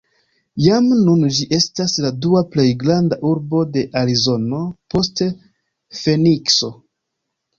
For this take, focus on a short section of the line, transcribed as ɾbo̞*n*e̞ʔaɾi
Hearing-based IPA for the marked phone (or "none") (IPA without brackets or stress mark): d